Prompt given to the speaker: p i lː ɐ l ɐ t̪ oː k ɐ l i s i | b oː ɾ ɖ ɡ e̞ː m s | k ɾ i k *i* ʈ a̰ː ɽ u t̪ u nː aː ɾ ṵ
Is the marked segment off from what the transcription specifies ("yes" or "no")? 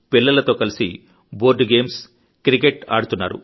yes